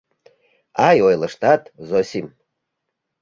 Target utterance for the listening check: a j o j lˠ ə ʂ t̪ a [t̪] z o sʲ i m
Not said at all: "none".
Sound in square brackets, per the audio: t̪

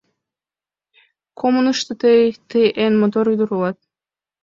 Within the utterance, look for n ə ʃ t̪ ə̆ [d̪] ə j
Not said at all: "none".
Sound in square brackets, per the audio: t̪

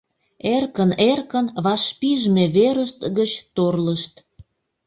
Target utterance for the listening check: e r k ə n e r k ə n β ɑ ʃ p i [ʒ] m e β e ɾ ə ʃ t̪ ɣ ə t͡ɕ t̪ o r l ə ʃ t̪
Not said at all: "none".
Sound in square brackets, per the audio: ʒ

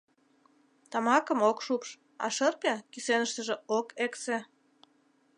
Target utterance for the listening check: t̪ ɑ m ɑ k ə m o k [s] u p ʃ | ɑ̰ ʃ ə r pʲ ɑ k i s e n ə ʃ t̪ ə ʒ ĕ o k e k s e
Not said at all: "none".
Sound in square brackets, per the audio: ʃ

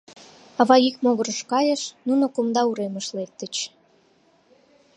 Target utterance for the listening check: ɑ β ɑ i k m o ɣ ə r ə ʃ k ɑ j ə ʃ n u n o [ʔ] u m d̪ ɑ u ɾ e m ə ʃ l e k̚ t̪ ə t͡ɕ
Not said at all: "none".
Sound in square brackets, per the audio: k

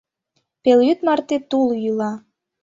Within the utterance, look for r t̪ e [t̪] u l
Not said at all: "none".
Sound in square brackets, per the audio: t̪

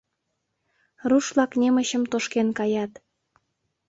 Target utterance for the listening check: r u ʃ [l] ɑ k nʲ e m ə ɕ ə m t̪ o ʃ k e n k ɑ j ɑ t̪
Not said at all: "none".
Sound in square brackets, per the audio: l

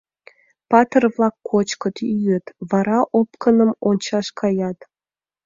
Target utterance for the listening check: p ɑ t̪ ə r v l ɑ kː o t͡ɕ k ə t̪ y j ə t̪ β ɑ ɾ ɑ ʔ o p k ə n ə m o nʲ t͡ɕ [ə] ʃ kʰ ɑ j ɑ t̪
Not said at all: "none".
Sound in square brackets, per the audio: ɑ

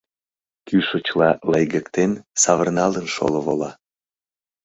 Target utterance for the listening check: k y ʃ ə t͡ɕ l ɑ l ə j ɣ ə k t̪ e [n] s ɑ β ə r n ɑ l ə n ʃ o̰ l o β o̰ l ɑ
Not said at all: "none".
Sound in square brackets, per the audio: n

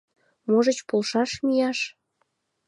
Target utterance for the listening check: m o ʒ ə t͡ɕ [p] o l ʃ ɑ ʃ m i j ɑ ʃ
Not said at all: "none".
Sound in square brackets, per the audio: p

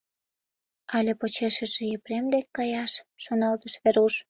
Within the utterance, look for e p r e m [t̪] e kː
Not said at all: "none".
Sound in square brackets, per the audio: d̪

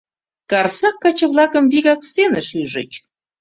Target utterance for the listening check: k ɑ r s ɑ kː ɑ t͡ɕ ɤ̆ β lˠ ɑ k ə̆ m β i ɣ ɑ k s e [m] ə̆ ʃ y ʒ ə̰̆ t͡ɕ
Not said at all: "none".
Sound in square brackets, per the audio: n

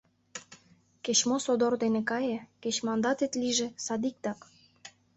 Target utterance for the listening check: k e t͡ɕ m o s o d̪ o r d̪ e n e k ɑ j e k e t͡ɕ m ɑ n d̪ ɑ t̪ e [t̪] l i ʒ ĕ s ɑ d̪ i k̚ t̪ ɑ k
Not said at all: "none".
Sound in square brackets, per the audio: t̪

